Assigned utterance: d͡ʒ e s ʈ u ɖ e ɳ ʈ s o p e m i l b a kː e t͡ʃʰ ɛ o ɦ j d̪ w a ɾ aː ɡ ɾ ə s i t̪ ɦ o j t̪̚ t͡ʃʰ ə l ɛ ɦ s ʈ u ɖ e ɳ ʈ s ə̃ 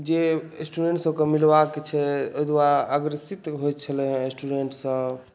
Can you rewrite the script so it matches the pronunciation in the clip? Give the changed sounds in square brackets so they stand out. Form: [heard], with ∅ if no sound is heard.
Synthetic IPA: d͡ʒ e s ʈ u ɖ e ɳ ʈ s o [k] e m i l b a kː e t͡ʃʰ ɛ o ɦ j d̪ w a ɾ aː ɡ ɾ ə s i t̪ ɦ o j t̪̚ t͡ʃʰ ə l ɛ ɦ s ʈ u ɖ e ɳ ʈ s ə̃